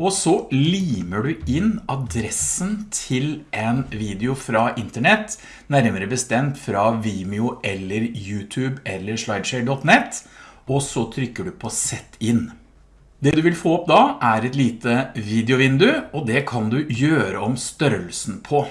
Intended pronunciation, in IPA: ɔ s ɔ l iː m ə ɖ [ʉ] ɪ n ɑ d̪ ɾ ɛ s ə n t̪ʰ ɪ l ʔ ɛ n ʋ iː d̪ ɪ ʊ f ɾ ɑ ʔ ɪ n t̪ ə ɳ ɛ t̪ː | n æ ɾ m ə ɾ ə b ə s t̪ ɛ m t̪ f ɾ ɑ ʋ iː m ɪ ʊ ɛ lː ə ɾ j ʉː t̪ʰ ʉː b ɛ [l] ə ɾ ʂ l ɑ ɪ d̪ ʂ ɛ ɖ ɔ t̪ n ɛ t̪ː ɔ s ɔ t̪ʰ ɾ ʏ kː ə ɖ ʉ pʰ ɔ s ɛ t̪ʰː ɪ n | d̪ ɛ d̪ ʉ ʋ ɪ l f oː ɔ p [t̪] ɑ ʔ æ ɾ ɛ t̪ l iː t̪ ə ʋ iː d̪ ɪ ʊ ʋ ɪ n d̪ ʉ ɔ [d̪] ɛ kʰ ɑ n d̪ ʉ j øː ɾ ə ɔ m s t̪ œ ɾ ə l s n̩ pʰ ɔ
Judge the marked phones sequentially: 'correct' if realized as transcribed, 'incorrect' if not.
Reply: correct, incorrect: lː, incorrect: d̪, correct

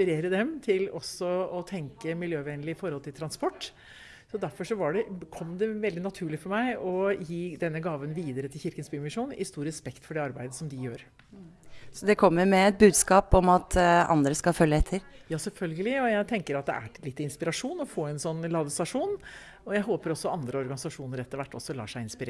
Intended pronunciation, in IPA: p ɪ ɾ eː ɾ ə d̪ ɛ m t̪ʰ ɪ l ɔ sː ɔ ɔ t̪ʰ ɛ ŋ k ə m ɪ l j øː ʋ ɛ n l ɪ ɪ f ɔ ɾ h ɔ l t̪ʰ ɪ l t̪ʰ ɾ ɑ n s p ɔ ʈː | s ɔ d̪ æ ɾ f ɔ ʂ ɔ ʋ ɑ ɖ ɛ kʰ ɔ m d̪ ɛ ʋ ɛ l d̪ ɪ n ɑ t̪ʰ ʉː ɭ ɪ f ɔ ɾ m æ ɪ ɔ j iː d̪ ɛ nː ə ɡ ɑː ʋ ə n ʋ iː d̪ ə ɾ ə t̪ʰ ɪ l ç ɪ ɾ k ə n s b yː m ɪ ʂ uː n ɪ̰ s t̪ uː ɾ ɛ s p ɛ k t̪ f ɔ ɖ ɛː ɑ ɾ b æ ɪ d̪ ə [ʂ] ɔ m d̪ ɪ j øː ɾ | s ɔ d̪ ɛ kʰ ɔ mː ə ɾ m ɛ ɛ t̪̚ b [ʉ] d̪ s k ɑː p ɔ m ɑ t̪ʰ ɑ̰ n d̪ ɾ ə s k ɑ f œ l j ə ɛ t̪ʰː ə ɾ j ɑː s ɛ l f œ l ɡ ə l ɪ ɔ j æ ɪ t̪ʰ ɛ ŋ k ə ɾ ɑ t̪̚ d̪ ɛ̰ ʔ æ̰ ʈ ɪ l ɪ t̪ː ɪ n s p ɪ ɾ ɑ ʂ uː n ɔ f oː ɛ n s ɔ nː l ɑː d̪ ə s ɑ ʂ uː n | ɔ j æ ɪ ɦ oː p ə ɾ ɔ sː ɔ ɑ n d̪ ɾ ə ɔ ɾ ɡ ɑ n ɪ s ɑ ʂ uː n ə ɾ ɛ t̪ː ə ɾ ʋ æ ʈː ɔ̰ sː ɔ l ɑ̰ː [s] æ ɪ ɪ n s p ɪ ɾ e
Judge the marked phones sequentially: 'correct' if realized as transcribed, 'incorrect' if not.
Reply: incorrect: s, incorrect: ʉː, incorrect: ʂ

